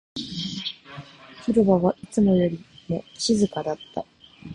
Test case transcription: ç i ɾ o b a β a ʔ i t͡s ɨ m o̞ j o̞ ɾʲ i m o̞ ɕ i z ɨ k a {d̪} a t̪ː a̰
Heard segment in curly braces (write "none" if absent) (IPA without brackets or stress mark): d̪